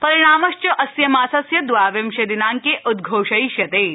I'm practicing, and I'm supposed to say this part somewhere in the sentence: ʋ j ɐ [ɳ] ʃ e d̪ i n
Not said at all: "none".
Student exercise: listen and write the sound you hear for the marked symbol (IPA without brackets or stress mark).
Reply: m